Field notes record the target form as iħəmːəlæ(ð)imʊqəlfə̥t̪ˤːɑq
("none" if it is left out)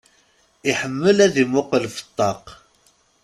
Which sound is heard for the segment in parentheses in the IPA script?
ð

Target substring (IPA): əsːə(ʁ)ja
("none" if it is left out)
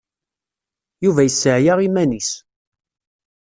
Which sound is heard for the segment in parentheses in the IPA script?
ʕ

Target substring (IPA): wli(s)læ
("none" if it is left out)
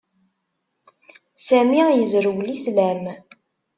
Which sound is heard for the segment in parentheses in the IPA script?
s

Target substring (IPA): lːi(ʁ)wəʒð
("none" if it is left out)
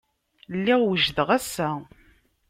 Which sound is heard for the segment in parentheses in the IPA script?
ʁ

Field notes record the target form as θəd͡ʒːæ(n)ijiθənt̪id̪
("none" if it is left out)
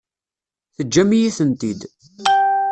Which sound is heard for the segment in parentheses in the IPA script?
m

